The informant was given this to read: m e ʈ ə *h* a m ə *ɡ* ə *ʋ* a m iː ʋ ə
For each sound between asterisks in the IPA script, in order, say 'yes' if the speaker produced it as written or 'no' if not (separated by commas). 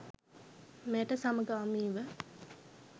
no, yes, no